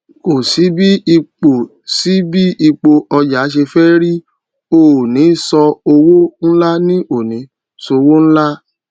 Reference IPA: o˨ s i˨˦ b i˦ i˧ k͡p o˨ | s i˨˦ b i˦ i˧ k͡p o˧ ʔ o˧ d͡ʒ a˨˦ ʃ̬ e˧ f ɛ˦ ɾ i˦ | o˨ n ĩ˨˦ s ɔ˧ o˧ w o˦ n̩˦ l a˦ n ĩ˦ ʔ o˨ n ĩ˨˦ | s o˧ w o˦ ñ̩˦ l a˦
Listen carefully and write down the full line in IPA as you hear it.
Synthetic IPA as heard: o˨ s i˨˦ b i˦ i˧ k͡p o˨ | s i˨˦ b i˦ i˧ k͡p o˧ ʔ ɔ˧ d͡ʒ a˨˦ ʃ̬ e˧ f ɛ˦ ɾ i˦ | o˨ n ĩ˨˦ s ɔ˧ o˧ w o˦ n̩˦ l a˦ n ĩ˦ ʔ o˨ n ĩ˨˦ | s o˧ w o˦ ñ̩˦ l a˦

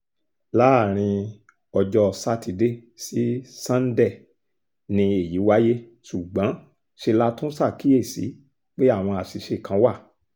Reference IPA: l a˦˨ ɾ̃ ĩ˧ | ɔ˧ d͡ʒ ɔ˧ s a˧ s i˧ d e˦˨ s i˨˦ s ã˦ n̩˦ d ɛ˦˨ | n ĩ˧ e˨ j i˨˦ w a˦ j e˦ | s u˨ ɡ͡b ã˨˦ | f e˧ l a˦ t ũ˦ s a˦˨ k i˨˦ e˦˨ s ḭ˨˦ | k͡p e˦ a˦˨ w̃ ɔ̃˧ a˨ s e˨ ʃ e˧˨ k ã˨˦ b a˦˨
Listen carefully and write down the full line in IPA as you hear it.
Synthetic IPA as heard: l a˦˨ ɾ̃ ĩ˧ | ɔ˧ d͡ʒ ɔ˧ s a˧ t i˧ d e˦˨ s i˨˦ s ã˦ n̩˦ d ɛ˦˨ | n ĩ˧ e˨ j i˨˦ w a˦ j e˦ | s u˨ ɡ͡b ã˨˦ | ʃ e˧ l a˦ t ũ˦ s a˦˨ k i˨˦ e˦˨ s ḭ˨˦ | k͡p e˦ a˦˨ w̃ ɔ̃˧ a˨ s i˨ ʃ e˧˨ k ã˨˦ w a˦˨

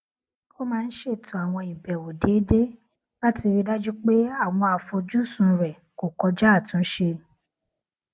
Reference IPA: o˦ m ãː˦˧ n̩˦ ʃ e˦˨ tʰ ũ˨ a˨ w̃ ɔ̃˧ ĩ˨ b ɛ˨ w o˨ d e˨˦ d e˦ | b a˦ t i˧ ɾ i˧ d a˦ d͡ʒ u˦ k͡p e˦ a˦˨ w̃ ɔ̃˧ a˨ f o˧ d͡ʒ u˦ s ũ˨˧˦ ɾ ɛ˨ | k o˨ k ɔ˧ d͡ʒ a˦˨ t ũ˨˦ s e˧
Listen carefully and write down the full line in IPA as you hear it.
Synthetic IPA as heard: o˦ m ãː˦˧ n̩˦ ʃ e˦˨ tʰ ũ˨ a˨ w̃ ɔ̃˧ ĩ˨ b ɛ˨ w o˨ d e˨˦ d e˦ | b a˦ t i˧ ɾ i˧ d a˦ d͡ʒ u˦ k͡p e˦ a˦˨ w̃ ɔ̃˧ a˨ f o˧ d͡ʒ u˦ s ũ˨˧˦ ɾ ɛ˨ | k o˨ k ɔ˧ d͡ʒ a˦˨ t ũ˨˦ ʃ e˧

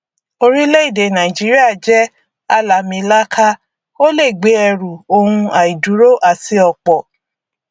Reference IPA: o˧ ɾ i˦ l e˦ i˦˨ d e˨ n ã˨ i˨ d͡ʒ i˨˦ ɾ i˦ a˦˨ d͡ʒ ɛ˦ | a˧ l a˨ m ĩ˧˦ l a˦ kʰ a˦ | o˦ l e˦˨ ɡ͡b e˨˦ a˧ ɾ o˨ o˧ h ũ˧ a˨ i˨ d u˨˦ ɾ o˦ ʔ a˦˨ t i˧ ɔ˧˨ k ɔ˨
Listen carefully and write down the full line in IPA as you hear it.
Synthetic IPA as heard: o˧ ɾ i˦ l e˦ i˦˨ d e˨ n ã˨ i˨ d͡ʒ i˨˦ ɾ i˦ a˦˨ d͡ʒ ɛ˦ | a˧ l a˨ m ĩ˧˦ l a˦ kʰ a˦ | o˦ l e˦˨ ɡ͡b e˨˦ ɛ˧ ɾ u˨ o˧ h ũ˧ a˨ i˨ d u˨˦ ɾ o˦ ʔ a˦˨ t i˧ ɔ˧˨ k͡p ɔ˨

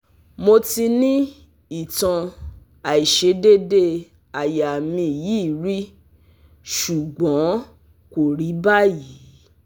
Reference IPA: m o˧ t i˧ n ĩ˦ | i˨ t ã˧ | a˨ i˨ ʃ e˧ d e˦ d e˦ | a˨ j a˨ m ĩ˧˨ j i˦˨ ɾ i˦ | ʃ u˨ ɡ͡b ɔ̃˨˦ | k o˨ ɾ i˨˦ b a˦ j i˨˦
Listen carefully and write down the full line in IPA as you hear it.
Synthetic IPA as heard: m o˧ t i˧ n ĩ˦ | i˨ t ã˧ | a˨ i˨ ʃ e˧ d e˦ d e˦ | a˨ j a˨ m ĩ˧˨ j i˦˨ ɾ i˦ | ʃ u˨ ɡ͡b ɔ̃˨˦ | k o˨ ɾ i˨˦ b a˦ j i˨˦

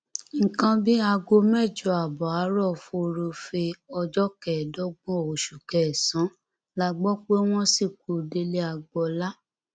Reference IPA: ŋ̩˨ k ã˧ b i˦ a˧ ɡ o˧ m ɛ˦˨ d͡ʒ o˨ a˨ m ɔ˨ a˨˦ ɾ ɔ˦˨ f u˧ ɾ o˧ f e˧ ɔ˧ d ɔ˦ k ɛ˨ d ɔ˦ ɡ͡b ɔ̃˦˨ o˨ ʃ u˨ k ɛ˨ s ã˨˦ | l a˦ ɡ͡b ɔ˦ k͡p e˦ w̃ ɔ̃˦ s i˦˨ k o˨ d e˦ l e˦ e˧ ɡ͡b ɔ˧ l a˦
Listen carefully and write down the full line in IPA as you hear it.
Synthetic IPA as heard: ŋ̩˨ k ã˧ b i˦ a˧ ɡ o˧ m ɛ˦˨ d͡ʒ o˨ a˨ b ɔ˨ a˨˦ ɾ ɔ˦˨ f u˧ ɾ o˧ f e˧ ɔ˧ d͡ʒ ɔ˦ k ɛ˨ d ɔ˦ ɡ͡b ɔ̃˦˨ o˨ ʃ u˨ k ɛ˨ s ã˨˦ | l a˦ ɡ͡b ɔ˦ k͡p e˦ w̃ ɔ̃˦ s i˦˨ k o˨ d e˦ l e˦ a˧ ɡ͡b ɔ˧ l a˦

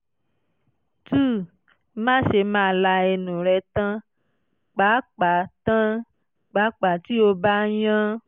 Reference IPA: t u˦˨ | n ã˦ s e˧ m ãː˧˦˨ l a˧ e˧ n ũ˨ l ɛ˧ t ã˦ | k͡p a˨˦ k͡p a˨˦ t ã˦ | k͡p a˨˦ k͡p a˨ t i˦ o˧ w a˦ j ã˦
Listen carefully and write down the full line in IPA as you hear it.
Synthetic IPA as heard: t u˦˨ | m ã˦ ʃ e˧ m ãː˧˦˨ l a˧ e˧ n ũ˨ ɾ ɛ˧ t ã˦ | k͡p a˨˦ k͡p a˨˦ t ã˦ | k͡p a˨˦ k͡p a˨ t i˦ o˧ b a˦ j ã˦

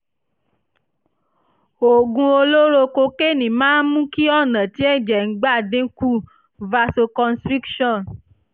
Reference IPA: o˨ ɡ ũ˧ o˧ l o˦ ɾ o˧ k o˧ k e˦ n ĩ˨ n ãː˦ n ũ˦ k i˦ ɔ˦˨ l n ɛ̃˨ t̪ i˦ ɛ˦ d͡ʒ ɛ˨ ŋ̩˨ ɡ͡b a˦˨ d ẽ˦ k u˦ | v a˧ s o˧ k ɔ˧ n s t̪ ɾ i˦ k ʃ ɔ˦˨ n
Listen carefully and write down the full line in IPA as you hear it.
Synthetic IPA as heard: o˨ ɡ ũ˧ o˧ l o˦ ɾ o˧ k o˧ k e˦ n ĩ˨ m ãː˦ m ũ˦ k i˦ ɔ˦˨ n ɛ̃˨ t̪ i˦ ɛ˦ d͡ʒ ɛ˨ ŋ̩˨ ɡ͡b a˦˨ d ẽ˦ k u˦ | v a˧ s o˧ k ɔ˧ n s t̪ ɾ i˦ k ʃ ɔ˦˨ n

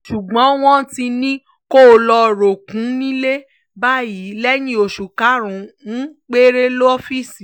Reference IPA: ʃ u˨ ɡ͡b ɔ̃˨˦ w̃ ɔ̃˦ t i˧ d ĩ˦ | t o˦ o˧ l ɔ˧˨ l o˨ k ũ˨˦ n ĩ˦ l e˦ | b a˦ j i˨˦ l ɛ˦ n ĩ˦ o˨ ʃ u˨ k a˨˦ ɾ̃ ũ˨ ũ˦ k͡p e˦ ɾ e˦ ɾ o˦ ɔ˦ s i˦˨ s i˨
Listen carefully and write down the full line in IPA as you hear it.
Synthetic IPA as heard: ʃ u˨ ɡ͡b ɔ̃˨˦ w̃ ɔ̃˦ t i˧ n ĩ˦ | k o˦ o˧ l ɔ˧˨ ɾ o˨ k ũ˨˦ n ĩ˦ l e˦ | b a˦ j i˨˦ l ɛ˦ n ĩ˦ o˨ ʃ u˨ k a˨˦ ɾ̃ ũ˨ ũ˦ k͡p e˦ ɾ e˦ l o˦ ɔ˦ f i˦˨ s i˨

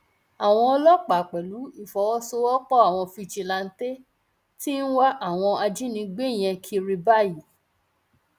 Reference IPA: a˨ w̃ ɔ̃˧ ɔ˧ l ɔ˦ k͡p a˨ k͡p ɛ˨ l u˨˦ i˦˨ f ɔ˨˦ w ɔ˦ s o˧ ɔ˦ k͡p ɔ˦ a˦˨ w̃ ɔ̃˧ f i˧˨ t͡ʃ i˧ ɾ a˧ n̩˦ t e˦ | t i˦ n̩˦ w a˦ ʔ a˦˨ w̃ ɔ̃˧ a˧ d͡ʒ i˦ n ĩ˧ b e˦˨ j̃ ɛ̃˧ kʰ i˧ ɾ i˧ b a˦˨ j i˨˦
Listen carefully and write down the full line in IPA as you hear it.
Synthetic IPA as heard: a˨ w̃ ɔ̃˧ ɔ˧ l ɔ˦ k͡p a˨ k͡p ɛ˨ l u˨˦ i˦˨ f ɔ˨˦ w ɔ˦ s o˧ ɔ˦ k͡p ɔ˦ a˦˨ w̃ ɔ̃˧ f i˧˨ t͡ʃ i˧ l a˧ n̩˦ t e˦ | t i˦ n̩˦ w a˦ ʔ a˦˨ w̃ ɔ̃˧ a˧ d͡ʒ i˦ n ĩ˧ ɡ͡b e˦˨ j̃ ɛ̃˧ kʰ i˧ ɾ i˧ b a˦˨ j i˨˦

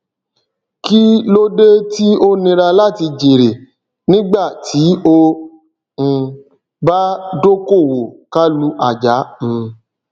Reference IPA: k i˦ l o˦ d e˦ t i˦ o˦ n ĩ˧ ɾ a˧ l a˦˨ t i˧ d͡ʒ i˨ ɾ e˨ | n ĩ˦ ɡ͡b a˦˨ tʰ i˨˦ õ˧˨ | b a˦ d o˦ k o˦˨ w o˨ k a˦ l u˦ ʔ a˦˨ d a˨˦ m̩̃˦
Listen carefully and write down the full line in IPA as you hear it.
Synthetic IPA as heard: k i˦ l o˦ d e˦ t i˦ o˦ n ĩ˧ ɾ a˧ l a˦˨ t i˧ d͡ʒ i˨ ɾ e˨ | n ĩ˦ ɡ͡b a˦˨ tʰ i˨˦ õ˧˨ | b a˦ d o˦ k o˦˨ w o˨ k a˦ l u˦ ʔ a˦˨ d͡ʒ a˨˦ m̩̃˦

